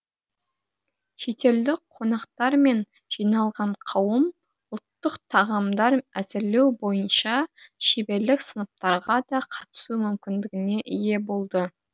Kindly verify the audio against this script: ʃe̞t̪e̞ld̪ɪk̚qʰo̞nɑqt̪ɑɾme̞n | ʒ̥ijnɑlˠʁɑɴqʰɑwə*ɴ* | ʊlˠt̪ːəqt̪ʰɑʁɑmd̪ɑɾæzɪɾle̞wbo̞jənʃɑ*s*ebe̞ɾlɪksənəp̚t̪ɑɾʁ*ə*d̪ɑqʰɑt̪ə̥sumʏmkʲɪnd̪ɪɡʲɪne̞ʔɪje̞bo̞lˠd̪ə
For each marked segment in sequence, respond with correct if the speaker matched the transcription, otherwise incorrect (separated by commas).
incorrect, incorrect, incorrect